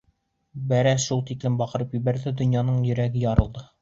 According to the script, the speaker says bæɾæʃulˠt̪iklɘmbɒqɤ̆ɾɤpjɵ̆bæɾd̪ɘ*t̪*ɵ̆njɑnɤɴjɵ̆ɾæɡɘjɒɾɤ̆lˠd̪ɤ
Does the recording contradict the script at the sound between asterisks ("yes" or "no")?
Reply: yes